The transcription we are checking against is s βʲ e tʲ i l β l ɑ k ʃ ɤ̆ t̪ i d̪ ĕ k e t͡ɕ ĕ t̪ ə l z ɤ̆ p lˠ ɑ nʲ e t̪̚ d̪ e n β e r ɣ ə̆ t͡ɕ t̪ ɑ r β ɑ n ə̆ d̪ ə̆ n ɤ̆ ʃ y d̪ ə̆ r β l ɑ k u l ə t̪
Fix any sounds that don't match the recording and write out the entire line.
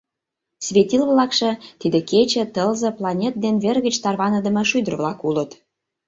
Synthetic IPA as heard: s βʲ e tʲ i l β l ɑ k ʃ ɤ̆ t̪ i d̪ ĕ k e t͡ɕ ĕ t̪ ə l z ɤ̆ p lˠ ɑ nʲ e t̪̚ d̪ e n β e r ɣ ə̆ t͡ɕ t̪ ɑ r β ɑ n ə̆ d̪ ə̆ m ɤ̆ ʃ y d̪ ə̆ r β l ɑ k u l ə t̪

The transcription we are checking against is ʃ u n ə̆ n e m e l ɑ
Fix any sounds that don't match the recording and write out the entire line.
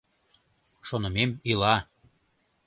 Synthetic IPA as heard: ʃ o n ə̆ m e m i l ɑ

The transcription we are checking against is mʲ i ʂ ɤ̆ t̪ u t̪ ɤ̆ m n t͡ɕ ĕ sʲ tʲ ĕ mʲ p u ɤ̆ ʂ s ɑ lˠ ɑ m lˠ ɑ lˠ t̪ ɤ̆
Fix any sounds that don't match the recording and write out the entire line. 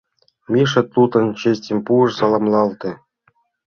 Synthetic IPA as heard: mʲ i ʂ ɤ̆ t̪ u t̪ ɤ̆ n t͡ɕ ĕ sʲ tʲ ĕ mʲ p u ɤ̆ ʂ s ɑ lˠ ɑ m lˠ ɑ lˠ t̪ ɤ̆

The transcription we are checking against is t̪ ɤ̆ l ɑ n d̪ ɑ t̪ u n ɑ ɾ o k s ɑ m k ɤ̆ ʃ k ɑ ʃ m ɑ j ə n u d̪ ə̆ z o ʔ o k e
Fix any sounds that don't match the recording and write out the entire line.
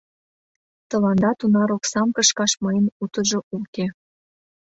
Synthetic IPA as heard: t̪ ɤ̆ l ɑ n d̪ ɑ t̪ u n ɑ ɾ o k s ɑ m k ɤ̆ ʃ k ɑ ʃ m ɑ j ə n u t̪ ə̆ ʒ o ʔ u k e

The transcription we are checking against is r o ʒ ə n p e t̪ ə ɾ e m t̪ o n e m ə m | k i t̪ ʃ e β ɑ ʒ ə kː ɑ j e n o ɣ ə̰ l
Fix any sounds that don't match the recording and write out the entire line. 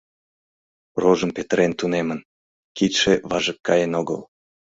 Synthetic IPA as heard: r o ʒ ə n p e t̪ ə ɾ e n t̪ u n e m ə n | k i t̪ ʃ e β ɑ ʒ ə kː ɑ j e n o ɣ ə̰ l

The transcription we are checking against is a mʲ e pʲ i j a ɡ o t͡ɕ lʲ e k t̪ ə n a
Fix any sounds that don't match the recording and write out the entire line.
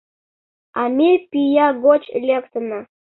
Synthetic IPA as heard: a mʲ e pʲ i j a ɡ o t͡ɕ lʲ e k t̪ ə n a

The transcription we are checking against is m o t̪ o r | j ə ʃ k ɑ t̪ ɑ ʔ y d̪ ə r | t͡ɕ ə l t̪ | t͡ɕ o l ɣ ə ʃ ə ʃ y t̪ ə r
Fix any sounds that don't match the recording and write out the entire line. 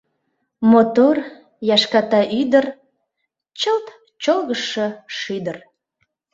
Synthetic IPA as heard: m o t̪ o r | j ɑ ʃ k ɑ t̪ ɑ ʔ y d̪ ə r | t͡ɕ ə l t̪ | t͡ɕ o l ɣ ə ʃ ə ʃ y d̪ ə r

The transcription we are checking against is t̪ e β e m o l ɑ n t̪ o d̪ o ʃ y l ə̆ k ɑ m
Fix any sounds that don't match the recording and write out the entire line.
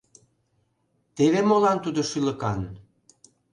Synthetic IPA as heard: t̪ e β e m o l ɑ n t̪ u d̪ o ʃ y l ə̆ k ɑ n

